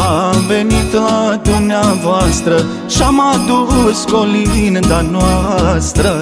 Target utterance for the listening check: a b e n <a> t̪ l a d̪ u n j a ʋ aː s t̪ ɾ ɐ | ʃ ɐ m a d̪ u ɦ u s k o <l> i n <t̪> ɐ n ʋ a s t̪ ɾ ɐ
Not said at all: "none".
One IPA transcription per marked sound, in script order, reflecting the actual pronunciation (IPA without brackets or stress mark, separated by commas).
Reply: i, l, d̪